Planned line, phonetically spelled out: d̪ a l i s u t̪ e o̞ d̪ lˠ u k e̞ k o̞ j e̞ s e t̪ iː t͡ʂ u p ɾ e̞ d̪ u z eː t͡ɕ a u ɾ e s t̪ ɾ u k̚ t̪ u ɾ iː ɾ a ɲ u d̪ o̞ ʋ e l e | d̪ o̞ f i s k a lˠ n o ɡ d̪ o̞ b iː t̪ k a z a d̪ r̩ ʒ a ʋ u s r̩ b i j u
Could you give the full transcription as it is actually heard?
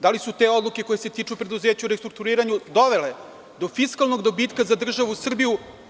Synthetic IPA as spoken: d̪ a l i s u t̪ e o̞ d̪ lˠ u k e̞ k o̞ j e̞ s e t̪ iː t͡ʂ u p ɾ e̞ d̪ u z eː t͡ɕ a u ɾ e s t̪ ɾ u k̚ t̪ u ɾ iː ɾ a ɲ u d̪ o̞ ʋ e l e | d̪ o̞ f i s k a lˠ n o ɡ d̪ o̞ b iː t̪ k a z a d̪ r̩ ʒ a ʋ u s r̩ b i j u